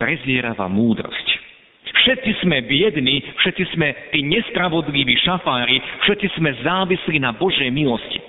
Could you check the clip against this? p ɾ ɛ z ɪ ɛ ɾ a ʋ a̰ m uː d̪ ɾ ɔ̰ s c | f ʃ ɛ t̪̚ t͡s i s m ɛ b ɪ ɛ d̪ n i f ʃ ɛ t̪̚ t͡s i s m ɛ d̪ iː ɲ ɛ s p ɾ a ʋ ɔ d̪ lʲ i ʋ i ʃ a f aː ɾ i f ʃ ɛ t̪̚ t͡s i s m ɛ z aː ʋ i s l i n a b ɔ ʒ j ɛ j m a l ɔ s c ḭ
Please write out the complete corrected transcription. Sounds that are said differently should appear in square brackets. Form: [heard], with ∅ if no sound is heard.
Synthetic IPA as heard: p ɾ ɛ z ɪ ɛ ɾ a ʋ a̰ m uː d̪ ɾ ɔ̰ s c | f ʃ ɛ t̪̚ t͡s i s m ɛ b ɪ ɛ d̪ n i f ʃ ɛ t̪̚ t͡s i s m ɛ [t̪] iː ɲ ɛ s p ɾ a ʋ ɔ d̪ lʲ i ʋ i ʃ a f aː ɾ i f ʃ ɛ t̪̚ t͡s i s m ɛ z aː ʋ i s l i n a b ɔ ʒ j ɛ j m [i] l ɔ s c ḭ